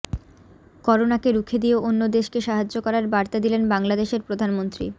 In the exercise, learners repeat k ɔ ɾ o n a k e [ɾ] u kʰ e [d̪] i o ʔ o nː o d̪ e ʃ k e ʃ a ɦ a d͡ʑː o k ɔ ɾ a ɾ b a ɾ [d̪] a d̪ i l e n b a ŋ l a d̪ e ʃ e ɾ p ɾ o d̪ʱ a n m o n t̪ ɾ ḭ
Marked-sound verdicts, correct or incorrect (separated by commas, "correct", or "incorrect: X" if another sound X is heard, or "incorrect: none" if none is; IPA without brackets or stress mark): correct, correct, incorrect: t̪